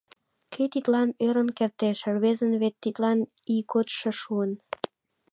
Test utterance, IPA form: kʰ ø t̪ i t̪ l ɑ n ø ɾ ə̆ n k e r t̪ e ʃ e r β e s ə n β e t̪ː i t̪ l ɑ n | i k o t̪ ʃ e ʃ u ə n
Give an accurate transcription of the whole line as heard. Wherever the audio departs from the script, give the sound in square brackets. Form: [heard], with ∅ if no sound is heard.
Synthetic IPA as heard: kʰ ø t̪ i t̪ l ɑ n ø ɾ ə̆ n k e r t̪ e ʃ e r β e [z] ə n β e t̪ː i t̪ l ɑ n | i k o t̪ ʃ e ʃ u ə n